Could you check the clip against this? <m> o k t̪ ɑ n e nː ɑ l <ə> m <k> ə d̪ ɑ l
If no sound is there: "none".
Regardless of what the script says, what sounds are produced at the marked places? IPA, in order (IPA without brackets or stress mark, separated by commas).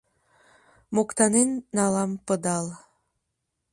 m, ɑ, p